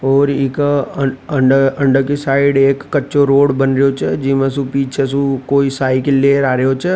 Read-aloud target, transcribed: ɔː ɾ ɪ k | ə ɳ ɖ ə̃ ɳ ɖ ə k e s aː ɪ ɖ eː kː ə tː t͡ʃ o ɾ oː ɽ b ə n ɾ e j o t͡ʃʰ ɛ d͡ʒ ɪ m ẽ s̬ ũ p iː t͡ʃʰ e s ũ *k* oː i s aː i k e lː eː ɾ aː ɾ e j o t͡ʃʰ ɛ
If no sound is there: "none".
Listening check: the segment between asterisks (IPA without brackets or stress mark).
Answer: k